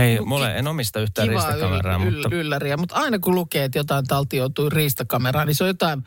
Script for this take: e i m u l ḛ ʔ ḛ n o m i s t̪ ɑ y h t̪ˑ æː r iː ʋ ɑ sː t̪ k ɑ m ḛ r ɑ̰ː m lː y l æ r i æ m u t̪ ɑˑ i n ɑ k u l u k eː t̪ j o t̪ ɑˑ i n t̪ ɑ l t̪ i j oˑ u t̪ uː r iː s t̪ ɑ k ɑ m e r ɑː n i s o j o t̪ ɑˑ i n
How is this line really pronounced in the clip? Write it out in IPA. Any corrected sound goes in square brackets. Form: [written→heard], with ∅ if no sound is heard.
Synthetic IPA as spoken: e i m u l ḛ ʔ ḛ n o m i s t̪ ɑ y h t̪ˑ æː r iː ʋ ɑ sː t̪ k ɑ m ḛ r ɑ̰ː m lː y [l→lː] æ r i æ m u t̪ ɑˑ i n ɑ k u l u k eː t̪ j o t̪ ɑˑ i n t̪ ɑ l t̪ i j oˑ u t̪ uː r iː s t̪ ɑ k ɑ m e r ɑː n i s o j o t̪ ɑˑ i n